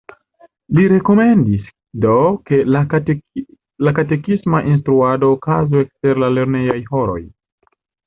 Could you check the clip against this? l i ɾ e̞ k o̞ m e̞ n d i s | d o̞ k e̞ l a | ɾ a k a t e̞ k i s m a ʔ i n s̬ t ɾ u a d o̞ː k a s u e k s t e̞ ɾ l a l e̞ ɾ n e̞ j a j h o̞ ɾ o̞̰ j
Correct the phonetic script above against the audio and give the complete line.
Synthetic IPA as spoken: l i ɾ e̞ k o̞ m e̞ n d i s | d o̞ k e̞ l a | l a k a t e̞ k i s m a ʔ i n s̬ t ɾ u a d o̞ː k a z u e k s t e̞ ɾ l a l e̞ ɾ n e̞ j a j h o̞ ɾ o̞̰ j